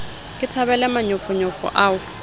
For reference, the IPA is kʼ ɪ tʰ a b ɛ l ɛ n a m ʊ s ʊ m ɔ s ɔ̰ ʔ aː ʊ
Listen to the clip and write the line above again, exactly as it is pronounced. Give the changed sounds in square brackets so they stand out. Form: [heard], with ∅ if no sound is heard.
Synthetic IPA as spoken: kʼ ɪ tʰ a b ɛ l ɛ [m] a [ɲ] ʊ [f] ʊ [ɲ] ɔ [f] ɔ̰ ʔ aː ʊ